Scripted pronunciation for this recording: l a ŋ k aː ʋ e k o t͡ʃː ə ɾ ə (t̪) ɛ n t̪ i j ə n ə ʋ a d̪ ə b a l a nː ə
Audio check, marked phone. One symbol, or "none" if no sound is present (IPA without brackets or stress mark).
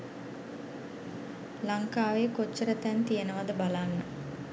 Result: t̪